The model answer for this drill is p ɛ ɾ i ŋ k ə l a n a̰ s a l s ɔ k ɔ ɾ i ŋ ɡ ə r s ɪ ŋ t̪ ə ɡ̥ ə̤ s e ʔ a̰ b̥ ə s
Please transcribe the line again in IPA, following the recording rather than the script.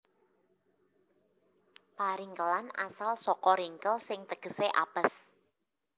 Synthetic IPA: p a ɾ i ŋ k ə l a n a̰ s a l s ɔ k ɔ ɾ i ŋ k ə l s ɪ ŋ t̪ ə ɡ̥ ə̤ s e ʔ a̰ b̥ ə s